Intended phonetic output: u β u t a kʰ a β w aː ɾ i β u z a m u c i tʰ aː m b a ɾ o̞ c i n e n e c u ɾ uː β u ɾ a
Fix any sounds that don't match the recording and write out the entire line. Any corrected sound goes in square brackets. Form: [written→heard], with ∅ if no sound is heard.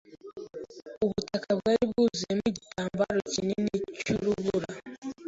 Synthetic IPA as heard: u β u t a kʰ a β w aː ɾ i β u z [a→e] m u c i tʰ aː m b a ɾ o̞ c i n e n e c u ɾ [uː→u] β u ɾ a